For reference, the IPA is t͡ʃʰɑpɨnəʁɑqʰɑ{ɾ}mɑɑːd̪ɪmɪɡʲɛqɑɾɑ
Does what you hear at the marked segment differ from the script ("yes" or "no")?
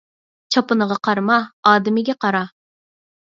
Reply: no